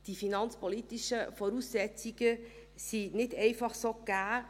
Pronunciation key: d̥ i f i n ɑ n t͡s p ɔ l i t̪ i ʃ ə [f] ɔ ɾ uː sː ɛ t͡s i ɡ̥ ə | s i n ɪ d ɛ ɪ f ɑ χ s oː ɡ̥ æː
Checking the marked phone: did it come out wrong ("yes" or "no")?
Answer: no